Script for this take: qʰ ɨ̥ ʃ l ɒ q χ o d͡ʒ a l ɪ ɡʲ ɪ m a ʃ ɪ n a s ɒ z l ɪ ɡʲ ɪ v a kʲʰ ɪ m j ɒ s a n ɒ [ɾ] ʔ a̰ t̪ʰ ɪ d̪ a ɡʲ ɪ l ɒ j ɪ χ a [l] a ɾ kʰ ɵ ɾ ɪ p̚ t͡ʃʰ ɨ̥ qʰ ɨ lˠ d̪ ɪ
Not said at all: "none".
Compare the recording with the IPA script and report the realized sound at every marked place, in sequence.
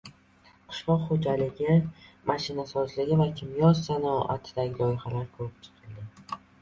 none, l

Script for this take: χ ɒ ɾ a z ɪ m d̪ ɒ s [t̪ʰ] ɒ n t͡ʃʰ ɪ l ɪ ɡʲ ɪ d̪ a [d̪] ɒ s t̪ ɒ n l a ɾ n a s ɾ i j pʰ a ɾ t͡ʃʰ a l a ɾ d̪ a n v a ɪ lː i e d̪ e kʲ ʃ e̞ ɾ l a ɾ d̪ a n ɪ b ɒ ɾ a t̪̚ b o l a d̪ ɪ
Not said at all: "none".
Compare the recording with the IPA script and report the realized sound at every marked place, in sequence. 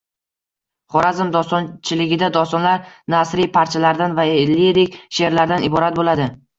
t̪, d̪

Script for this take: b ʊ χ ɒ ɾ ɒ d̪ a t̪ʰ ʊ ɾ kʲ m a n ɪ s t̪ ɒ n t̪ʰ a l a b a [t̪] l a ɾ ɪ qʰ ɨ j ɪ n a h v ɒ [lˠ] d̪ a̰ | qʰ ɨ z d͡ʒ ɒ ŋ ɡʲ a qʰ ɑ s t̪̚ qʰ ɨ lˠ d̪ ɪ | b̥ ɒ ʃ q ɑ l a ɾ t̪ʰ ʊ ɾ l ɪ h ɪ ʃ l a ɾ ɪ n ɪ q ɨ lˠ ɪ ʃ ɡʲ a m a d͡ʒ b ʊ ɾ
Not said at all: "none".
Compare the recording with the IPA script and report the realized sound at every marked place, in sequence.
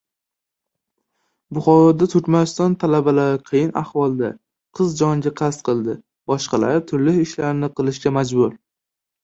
none, lˠ

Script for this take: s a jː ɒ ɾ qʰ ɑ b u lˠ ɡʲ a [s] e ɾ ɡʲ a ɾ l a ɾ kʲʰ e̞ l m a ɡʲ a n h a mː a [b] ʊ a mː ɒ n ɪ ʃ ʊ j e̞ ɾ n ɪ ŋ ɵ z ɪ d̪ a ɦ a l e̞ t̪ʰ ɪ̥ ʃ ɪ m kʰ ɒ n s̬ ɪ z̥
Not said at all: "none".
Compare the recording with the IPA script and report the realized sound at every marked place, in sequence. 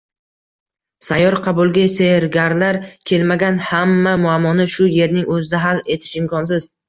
s, m

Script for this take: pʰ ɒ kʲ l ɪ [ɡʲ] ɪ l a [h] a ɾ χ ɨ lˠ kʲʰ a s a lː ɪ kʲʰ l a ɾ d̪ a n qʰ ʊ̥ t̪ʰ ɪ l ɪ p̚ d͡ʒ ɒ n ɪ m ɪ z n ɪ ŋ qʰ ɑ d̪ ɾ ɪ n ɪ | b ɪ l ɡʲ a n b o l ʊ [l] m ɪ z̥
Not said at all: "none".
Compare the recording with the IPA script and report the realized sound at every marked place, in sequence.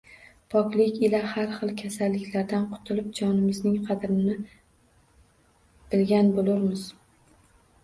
kʲ, h, ɾ

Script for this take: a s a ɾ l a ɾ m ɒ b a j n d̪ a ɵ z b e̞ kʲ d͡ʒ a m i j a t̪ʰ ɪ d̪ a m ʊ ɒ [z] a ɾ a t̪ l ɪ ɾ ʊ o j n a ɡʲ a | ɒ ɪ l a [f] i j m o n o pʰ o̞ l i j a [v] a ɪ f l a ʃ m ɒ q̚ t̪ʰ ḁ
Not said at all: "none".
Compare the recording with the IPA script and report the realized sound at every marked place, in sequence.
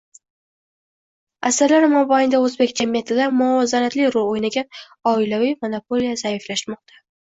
z, v, z

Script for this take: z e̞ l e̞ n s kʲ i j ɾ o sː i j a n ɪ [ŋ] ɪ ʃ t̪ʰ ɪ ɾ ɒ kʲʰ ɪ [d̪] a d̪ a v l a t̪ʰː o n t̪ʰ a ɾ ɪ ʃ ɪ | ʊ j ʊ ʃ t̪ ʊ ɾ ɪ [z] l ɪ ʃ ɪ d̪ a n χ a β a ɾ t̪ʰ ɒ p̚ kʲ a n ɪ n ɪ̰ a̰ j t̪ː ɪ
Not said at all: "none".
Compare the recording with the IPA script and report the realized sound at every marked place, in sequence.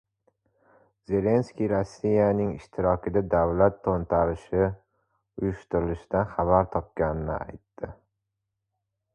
ŋ, d̪, none

